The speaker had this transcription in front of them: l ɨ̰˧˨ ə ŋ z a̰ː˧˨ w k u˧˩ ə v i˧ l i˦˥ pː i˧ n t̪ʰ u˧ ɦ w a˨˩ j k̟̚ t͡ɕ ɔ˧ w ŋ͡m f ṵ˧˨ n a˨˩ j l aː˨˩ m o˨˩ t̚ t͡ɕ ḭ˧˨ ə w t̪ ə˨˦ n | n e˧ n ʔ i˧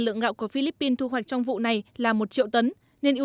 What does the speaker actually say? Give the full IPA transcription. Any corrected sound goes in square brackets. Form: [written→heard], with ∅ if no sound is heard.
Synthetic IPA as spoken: l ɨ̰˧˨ ə ŋ [z→ɣ] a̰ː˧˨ w k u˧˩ ə [v→f] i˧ l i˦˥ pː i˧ n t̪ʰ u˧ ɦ w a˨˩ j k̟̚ t͡ɕ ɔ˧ w ŋ͡m [f→v] ṵ˧˨ n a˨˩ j l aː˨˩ m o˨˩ t̚ t͡ɕ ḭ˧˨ ə w t̪ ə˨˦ n | n e˧ n ʔ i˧

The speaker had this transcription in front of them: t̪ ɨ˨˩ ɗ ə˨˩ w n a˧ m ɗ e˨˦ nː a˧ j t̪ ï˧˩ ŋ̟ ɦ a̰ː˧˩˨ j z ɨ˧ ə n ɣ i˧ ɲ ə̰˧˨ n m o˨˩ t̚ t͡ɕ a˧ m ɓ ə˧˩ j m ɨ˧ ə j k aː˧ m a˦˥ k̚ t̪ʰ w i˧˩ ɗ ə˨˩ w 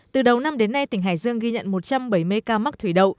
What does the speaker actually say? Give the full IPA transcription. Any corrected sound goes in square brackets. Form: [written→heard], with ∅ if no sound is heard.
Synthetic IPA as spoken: t̪ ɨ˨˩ ɗ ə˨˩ w n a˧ m ɗ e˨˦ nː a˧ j t̪ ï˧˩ ŋ̟ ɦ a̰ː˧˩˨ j z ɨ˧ ə [n→ŋ] ɣ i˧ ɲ ə̰˧˨ n m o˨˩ t̚ t͡ɕ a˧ m ɓ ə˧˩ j m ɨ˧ ə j k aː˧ m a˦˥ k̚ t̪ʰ w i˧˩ ɗ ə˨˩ w

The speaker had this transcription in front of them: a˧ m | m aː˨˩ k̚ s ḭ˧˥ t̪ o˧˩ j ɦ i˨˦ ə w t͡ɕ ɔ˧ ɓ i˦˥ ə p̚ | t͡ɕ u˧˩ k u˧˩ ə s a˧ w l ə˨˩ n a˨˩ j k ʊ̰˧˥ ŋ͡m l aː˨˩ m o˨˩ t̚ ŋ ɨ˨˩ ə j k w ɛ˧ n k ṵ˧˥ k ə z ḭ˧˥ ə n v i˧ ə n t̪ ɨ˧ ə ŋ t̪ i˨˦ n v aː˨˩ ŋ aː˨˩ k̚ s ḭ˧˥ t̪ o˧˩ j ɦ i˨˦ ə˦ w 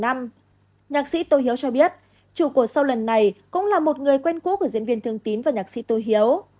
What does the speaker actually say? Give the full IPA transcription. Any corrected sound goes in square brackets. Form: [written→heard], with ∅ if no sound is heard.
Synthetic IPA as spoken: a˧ m | [m→ɲ] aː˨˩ k̚ s ḭ˧˥ t̪ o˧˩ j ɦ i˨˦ ə w t͡ɕ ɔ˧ ɓ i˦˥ ə [p̚→t̚] | t͡ɕ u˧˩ k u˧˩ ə s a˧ w l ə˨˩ [n→nː] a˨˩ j k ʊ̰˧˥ ŋ͡m l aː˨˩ m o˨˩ t̚ ŋ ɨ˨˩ ə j k w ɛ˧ n k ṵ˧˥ k ə z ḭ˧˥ ə n v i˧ ə n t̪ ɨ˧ ə ŋ t̪ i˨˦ n v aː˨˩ [ŋ→ɲ] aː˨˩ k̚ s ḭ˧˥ t̪ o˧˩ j ɦ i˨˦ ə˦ w

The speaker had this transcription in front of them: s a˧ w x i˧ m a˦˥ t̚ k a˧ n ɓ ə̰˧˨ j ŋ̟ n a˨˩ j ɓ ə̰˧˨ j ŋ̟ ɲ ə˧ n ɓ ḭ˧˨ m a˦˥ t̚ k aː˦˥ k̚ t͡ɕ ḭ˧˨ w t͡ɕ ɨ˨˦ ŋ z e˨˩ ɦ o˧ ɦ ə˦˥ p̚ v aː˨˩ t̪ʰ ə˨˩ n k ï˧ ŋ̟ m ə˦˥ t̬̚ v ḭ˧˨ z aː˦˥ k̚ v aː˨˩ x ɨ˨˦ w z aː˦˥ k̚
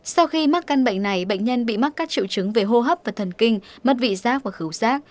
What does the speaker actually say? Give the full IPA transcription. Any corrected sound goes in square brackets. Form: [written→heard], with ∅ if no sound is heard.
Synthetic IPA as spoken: s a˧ w x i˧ m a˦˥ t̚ k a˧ n ɓ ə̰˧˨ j ŋ̟ n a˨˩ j ɓ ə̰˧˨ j ŋ̟ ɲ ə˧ n ɓ ḭ˧˨ m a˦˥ t̚ k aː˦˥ k̚ t͡ɕ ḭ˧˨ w t͡ɕ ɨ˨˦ ŋ [z→v] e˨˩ ɦ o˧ ɦ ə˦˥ p̚ v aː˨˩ t̪ʰ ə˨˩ n k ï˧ ŋ̟ m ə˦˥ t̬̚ v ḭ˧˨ z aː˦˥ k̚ v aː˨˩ x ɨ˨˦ w z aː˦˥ k̚

